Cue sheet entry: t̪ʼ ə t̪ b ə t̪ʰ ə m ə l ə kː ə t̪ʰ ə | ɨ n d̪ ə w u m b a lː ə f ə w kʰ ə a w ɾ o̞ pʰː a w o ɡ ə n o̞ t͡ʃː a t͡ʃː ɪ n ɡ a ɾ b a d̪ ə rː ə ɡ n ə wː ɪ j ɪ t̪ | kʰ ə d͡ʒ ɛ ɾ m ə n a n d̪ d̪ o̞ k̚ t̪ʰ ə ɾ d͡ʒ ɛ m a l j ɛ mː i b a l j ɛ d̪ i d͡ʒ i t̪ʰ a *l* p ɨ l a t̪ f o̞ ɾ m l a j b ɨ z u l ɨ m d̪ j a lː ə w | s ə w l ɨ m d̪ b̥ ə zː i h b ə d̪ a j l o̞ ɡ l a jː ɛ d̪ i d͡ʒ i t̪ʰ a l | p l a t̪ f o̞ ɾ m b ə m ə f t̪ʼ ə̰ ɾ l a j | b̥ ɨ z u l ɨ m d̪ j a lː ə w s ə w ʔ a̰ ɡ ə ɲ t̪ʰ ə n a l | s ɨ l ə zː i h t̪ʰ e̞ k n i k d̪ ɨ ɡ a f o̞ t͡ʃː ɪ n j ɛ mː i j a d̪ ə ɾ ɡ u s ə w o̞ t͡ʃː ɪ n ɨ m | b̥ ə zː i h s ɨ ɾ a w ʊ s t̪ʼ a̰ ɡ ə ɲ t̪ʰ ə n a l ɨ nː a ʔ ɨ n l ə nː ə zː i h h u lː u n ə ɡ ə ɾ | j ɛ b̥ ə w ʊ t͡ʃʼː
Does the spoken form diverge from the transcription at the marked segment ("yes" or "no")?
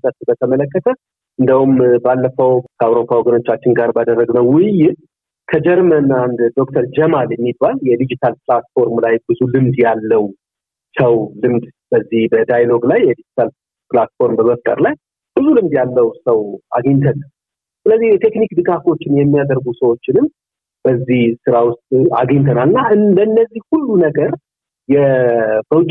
no